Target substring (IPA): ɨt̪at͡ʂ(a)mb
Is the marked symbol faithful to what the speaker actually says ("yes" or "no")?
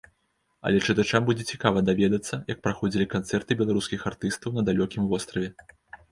yes